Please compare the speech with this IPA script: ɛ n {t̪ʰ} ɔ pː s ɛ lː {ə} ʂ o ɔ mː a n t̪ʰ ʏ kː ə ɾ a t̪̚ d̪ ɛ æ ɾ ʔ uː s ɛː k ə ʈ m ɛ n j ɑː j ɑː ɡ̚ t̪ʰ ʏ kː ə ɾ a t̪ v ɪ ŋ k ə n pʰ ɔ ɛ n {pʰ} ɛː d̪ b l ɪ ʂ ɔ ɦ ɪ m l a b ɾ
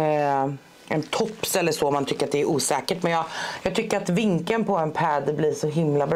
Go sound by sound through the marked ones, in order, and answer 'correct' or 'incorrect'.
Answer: correct, correct, correct

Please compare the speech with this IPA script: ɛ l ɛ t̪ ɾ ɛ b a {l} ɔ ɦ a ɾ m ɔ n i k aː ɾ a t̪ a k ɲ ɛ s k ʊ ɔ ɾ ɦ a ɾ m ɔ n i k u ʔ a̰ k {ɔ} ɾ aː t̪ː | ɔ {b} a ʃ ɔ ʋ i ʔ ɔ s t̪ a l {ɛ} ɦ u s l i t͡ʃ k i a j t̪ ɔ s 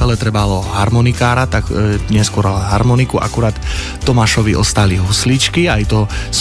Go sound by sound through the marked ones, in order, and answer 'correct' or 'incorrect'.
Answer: correct, incorrect: u, incorrect: m, incorrect: i

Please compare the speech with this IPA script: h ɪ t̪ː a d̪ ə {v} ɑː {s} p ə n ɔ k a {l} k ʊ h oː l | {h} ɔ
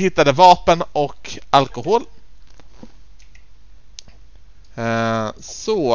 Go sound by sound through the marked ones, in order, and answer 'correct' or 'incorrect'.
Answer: correct, incorrect: none, correct, incorrect: s

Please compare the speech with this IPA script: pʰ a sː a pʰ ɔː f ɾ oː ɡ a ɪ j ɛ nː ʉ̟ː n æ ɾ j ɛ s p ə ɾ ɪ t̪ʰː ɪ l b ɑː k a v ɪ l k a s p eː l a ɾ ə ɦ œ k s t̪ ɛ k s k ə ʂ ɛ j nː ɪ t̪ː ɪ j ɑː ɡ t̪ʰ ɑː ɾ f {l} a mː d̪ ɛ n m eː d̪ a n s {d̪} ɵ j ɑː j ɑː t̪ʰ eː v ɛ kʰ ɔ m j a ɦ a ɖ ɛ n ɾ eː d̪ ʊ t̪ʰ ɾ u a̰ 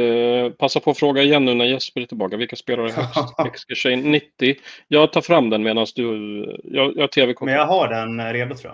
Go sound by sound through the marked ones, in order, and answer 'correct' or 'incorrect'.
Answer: incorrect: ɾ, correct

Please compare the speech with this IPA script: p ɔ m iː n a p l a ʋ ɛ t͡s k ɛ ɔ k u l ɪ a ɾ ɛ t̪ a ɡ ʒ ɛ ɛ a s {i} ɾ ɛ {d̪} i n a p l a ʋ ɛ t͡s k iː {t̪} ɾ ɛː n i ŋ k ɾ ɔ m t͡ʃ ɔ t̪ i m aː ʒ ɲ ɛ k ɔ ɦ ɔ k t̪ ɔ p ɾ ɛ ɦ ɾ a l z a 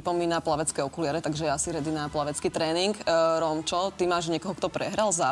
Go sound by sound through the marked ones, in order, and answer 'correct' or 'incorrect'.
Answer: correct, correct, correct

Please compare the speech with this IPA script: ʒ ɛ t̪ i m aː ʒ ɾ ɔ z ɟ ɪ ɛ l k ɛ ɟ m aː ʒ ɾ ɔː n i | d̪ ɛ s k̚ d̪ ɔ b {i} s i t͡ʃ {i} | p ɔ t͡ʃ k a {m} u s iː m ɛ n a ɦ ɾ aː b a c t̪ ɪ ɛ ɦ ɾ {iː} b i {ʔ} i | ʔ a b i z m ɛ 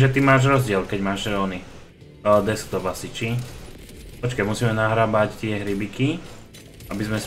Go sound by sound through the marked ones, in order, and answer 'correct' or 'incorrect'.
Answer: incorrect: a, correct, correct, incorrect: i, incorrect: k

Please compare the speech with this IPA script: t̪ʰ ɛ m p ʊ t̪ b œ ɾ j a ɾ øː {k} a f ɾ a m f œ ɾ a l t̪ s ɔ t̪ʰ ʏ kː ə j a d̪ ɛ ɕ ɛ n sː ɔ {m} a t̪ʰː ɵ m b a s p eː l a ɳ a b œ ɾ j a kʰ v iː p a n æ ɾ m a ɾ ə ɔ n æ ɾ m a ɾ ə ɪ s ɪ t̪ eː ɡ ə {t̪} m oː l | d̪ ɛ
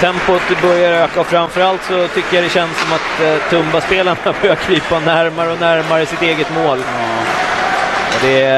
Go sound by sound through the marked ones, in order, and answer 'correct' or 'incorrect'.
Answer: correct, correct, correct

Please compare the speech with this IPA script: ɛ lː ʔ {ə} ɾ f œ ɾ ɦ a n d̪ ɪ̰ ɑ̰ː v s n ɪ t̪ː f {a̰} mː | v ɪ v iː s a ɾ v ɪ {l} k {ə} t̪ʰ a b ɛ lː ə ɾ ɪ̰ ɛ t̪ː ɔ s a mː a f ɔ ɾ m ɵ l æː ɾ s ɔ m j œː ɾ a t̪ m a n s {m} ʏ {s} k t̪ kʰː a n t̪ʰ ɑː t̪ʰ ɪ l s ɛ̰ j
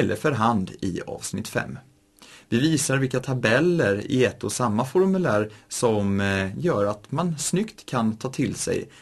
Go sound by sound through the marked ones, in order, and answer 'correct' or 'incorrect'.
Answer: correct, incorrect: ɛ̰, correct, incorrect: a, incorrect: n, incorrect: none

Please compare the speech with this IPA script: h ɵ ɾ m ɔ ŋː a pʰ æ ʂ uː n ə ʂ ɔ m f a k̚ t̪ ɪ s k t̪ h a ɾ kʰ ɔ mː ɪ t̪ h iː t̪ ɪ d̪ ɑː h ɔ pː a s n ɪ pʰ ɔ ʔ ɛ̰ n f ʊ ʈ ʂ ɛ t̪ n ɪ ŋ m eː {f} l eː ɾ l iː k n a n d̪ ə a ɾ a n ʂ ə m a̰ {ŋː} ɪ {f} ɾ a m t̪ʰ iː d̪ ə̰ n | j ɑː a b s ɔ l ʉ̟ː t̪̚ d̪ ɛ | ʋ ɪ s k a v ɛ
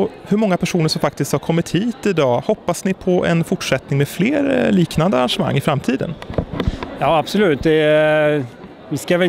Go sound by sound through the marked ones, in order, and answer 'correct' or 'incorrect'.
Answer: correct, correct, correct

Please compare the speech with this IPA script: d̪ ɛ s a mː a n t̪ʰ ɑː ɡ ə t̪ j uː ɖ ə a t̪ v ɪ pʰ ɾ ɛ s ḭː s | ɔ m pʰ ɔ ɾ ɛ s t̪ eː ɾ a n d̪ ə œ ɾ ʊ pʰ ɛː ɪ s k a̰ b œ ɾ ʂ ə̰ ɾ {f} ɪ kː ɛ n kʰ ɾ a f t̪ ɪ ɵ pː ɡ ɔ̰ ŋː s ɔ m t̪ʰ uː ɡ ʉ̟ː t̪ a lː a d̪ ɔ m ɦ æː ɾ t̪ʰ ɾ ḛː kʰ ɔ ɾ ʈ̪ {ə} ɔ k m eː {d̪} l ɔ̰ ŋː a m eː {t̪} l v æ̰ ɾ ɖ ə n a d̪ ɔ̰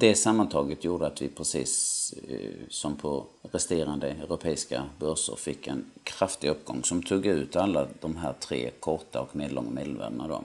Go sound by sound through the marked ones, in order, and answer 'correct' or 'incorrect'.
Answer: correct, incorrect: a, correct, incorrect: d̪

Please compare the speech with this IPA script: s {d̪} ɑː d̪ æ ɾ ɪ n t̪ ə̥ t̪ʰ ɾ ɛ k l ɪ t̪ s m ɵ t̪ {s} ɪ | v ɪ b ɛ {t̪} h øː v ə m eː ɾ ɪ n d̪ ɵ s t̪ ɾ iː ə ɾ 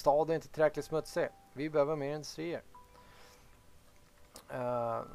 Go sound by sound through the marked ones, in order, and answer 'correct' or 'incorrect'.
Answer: incorrect: t̪, correct, incorrect: none

